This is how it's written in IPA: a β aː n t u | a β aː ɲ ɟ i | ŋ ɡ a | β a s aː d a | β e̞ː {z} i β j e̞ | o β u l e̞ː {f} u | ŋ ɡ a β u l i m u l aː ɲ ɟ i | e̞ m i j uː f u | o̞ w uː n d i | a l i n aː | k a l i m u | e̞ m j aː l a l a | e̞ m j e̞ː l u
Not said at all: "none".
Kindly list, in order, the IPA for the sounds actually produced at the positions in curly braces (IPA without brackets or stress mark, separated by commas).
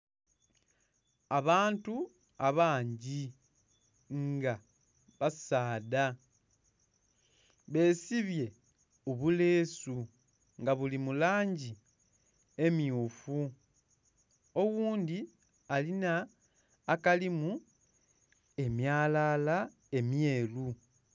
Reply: s, s